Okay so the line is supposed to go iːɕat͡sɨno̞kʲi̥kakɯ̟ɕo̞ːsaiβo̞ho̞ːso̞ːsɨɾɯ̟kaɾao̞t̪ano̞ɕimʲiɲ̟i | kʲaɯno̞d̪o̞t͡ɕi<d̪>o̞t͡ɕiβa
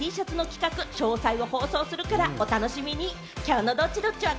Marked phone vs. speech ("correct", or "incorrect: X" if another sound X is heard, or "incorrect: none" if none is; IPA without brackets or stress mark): correct